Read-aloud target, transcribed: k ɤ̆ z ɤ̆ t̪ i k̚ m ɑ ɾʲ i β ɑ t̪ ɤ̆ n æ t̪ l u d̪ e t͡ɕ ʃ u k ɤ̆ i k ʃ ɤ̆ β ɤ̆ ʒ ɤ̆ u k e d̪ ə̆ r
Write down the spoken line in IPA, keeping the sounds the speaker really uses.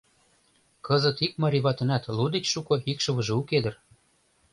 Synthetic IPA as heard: k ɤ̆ z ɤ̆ t̪ i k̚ m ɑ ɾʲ i β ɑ t̪ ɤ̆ n æ t̪ l u d̪ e t͡ɕ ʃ u k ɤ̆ i k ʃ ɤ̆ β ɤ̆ ʒ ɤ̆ u k e d̪ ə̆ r